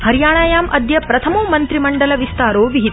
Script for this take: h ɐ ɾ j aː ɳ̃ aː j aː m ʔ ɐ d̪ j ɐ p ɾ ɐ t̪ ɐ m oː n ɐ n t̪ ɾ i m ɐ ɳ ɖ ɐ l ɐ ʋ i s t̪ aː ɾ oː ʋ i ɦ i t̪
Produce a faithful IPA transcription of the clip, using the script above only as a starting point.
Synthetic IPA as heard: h ɐ ɾ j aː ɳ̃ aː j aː m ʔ ɐ d̪ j ɐ p ɾ ɐ t̪ʰ ɐ m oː m ɐ n t̪ ɾ i m ɐ ɳ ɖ ɐ l ɐ ʋ i s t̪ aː ɾ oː ʋ i ɦ i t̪